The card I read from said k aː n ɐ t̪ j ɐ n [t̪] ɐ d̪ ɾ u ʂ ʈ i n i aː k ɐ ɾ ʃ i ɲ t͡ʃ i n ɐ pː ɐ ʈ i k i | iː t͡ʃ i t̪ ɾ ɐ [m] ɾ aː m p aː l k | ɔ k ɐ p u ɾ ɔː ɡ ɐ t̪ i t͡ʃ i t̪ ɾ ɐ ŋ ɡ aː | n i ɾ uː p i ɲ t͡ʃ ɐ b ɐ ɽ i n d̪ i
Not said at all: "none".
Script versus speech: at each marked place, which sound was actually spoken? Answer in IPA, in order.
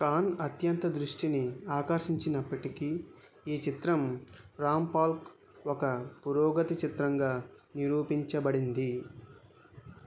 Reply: t̪, m

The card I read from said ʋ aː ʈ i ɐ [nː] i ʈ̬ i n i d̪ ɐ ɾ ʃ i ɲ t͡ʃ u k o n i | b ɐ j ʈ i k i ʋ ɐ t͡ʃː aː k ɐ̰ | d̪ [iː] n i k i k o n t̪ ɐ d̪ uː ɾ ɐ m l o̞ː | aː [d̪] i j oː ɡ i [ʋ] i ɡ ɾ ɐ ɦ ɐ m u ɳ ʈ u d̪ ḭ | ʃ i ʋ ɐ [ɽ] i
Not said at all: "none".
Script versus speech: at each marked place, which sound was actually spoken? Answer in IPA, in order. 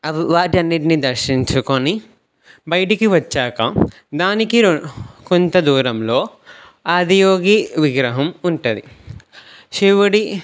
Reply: nː, aː, d̪, ʋ, ɽ

